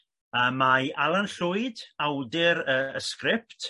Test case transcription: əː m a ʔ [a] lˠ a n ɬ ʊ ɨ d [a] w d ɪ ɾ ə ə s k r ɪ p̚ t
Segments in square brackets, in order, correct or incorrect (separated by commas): correct, correct